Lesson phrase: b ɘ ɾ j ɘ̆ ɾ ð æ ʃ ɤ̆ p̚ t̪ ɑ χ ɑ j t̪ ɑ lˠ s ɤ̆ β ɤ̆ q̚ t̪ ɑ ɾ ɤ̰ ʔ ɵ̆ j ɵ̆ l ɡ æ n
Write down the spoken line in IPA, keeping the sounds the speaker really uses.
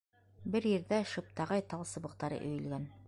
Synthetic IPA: b ɘ ɾ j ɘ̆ ɾ ð æ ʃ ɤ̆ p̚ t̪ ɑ ʁ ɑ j t̪ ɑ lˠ s ɤ̆ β ɤ̆ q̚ t̪ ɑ ɾ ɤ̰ ʔ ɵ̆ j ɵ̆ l ɡ æ n